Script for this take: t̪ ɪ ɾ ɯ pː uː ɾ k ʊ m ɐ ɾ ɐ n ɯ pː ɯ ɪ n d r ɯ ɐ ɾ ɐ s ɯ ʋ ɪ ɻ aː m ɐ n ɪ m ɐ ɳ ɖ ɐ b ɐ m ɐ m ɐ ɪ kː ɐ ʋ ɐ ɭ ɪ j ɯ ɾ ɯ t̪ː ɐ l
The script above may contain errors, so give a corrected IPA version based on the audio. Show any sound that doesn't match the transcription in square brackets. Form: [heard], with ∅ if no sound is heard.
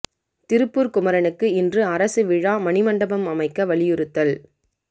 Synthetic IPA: t̪ ɪ ɾ ɯ pː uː ɾ k ʊ m ɐ ɾ ɐ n ɯ [kː] ɯ ɪ n d r ɯ ɐ ɾ ɐ s ɯ ʋ ɪ ɻ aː m ɐ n ɪ m ɐ ɳ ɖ ɐ b ɐ m ɐ m ɐ ɪ kː ɐ ʋ ɐ ɭ ɪ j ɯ ɾ ɯ t̪ː ɐ l